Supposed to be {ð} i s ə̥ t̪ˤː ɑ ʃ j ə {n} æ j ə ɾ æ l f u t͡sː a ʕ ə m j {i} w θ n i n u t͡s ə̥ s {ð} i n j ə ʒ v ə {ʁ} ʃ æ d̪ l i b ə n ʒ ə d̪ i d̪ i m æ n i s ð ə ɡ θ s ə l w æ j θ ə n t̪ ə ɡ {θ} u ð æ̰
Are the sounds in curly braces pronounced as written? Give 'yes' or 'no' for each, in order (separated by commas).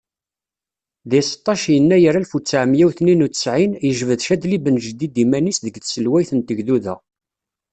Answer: yes, no, no, no, no, no